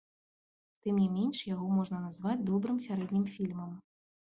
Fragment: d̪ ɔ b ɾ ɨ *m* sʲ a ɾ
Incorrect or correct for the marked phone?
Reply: correct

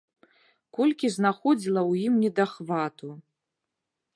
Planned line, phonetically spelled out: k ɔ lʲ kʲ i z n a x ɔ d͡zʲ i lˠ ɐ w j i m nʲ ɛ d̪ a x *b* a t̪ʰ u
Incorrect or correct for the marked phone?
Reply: incorrect: v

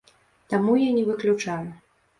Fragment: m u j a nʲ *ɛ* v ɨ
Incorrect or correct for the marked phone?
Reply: correct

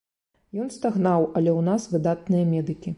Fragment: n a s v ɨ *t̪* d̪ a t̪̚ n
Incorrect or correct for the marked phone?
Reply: incorrect: none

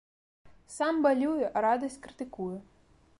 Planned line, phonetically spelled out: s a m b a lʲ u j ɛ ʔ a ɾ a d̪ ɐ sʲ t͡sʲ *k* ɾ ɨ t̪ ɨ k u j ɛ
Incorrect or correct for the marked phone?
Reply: correct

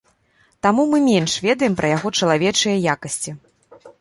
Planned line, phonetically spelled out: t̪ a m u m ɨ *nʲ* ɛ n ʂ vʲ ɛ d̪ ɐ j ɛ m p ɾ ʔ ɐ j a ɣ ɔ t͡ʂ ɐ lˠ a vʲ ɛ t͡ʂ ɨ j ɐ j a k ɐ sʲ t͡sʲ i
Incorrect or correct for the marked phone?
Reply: incorrect: mʲ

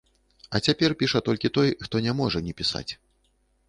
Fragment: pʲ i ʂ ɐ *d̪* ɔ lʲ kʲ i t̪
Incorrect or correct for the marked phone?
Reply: incorrect: t̪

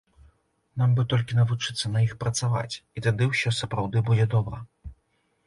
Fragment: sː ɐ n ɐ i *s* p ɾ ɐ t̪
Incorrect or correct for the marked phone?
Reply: incorrect: x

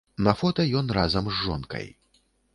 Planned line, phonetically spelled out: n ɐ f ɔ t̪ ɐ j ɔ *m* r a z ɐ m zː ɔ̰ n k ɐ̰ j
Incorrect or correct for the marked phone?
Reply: incorrect: n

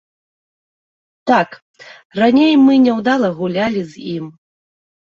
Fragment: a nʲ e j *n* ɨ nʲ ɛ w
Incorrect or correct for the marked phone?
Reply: incorrect: m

